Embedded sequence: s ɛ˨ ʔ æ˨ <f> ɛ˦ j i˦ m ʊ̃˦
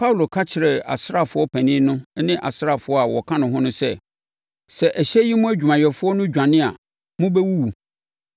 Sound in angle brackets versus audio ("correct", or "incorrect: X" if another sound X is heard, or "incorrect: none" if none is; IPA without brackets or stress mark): incorrect: ɕ